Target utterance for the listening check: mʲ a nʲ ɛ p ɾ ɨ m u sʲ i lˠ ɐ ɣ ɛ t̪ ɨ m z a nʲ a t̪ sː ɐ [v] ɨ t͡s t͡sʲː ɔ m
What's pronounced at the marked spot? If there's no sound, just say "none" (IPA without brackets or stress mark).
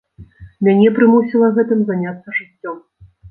ʐ